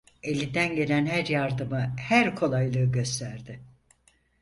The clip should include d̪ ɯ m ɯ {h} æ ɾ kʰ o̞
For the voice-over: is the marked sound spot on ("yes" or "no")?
yes